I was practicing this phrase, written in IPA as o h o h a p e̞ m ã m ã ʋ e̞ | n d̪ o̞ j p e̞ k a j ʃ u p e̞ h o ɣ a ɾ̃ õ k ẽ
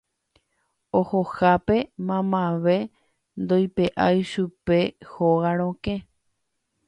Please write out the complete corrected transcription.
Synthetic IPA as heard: o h o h a p e̞ m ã m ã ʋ e̞ | n d̪ o̞ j p e̞ ʔ a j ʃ u p e̞ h o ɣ a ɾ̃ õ k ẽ